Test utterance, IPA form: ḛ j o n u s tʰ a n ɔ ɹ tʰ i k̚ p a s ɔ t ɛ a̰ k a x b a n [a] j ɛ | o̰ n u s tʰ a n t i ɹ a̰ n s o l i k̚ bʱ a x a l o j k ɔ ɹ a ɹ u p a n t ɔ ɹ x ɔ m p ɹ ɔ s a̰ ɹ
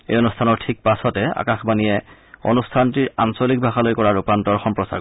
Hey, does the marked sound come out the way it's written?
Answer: no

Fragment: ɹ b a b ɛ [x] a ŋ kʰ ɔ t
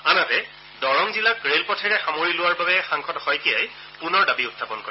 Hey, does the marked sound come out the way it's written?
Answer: yes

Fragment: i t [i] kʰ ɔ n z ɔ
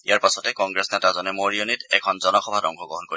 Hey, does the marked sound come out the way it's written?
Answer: no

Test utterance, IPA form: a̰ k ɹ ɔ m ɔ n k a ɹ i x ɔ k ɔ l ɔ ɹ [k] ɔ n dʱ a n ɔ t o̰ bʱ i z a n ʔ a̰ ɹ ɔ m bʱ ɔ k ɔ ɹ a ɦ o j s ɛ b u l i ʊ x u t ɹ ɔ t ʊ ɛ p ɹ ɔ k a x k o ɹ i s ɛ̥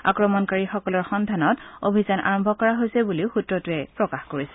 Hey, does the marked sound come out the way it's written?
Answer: no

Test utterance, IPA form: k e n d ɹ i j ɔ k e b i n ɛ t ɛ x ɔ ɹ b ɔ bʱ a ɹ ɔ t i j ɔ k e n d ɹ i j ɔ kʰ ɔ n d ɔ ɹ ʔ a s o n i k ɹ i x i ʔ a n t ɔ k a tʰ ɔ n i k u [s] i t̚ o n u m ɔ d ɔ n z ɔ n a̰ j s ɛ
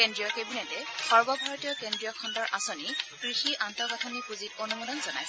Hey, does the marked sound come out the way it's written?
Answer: no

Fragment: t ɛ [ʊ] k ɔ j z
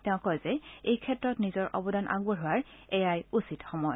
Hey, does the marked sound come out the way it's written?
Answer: no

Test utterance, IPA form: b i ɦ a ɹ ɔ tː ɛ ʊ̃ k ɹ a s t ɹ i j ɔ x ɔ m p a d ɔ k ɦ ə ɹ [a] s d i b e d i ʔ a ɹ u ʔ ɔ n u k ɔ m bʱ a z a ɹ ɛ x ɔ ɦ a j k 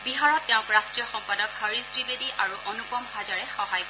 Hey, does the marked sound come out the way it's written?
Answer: no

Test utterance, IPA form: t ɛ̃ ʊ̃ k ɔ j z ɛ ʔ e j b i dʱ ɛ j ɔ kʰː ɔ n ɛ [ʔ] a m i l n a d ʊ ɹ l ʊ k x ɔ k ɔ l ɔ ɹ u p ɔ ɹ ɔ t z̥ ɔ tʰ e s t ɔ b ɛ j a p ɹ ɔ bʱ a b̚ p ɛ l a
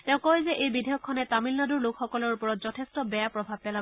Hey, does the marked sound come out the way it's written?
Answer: no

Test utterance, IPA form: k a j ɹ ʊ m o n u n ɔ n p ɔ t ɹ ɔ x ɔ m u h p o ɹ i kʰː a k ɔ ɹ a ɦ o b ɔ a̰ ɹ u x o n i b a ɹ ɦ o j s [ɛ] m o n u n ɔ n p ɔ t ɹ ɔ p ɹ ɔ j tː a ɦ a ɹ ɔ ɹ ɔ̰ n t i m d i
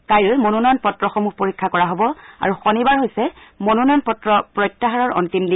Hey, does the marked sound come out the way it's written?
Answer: yes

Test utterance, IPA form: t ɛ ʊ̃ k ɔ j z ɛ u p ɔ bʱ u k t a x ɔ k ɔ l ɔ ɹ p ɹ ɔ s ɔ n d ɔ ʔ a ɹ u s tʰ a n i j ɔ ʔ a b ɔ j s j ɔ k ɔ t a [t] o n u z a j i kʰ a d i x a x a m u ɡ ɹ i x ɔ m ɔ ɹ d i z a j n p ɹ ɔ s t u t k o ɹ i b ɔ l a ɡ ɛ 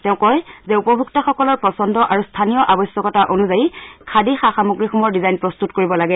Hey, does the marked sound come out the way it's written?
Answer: no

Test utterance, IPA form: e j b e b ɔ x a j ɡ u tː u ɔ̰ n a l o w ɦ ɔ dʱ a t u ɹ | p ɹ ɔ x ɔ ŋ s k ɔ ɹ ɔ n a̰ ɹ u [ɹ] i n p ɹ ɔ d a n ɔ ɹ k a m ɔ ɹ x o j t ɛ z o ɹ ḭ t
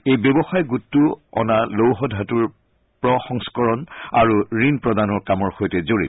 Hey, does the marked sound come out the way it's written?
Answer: yes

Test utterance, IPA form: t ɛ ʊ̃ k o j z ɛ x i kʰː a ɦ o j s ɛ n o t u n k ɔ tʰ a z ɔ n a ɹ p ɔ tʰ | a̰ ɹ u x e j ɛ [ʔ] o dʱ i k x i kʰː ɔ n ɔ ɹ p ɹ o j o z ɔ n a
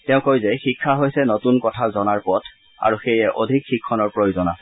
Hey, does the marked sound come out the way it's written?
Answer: yes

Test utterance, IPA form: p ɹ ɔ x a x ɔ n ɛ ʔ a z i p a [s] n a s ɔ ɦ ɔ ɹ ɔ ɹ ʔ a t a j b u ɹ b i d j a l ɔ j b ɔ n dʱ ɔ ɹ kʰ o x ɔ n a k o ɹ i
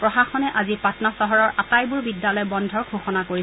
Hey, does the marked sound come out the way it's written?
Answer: no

